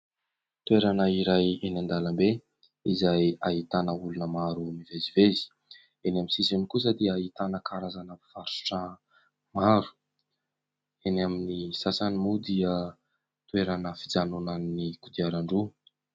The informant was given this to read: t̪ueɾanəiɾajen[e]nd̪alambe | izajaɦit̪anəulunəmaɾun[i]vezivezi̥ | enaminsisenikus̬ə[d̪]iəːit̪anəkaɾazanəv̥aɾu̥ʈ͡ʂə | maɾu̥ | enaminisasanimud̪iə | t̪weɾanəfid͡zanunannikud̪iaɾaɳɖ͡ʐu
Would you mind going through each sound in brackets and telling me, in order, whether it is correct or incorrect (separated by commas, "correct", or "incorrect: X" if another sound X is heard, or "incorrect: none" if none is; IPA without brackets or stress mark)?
incorrect: a, correct, correct